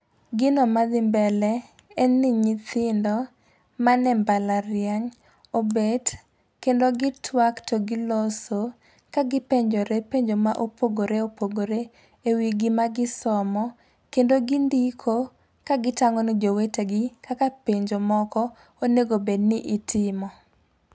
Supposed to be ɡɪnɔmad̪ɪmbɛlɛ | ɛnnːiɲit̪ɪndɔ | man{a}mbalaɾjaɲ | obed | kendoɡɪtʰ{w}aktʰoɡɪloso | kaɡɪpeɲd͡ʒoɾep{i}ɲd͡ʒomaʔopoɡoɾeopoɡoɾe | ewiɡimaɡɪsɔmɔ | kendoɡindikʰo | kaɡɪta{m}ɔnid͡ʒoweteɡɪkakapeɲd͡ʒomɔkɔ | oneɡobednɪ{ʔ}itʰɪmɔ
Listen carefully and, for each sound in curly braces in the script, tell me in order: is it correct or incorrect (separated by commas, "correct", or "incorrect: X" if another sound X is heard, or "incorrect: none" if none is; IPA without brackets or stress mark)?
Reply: incorrect: ɛ, correct, incorrect: e, incorrect: ŋ, correct